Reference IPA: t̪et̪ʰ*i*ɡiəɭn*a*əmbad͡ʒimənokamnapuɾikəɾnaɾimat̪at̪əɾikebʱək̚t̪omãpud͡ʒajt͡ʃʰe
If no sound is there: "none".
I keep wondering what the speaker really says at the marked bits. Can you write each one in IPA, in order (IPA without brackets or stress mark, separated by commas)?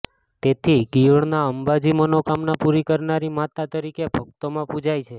i, a